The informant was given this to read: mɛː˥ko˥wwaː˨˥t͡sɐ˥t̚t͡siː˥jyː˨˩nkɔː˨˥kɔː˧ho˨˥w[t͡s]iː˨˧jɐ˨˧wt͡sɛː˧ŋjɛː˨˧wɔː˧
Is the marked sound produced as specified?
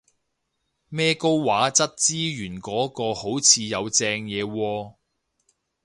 no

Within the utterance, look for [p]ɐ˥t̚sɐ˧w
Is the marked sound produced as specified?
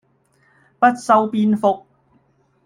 yes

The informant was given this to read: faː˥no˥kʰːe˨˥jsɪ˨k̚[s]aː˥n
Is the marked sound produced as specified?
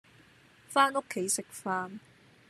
no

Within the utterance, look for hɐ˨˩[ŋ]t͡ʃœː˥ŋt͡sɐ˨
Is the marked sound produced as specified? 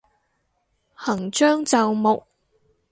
yes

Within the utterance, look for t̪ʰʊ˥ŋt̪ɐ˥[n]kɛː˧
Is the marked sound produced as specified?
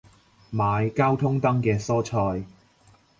no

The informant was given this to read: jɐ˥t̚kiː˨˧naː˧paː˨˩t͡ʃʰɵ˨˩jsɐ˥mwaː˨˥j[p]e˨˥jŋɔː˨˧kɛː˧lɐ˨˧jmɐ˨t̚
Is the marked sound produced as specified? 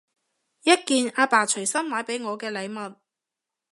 yes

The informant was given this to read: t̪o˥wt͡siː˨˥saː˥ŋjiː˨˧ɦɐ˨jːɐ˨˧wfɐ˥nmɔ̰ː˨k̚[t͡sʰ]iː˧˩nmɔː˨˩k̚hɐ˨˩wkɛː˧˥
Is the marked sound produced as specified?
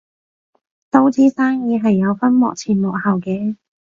yes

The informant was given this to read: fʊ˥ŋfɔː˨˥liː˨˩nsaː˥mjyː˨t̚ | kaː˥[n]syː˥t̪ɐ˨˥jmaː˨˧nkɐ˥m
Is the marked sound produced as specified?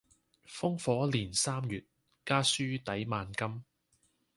no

